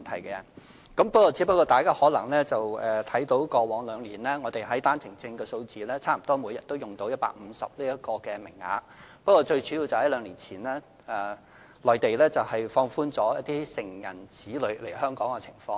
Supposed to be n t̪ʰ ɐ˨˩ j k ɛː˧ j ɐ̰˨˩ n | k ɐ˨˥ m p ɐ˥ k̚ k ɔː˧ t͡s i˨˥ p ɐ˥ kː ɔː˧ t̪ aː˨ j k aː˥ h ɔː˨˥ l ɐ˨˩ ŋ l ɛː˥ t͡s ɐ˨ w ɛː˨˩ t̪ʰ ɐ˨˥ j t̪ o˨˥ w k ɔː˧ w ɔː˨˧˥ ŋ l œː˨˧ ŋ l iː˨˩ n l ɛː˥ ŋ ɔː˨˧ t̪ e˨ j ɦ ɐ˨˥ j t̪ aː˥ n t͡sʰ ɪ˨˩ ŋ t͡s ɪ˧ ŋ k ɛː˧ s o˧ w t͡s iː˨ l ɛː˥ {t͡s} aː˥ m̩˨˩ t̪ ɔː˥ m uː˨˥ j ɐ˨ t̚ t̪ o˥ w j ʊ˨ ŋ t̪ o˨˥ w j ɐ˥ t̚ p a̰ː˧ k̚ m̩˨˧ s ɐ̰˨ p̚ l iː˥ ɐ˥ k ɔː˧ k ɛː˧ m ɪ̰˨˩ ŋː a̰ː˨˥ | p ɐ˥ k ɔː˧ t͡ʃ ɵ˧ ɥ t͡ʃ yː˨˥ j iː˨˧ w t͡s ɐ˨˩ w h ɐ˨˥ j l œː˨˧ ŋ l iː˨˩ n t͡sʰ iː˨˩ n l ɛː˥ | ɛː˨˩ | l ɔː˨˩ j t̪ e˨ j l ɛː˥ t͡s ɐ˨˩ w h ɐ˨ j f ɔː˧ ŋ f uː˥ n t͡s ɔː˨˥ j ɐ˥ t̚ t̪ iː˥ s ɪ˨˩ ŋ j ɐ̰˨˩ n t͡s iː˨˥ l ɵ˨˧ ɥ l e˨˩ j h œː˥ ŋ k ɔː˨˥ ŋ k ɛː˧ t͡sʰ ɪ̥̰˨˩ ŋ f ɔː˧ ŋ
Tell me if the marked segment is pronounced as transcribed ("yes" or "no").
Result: no